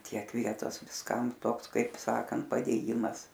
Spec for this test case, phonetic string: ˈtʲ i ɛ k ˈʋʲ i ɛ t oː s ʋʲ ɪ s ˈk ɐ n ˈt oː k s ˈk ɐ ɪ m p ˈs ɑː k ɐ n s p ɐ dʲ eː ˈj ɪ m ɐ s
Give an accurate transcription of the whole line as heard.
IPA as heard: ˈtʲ i ɛ k ˈʋʲ i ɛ t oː s ʋʲ ɪ s ˈk ɐ m ˈt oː k s ˈk ɐ ɪ p ˈs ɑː k ɐ n t p ɐ dʲ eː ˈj ɪ m ɐ s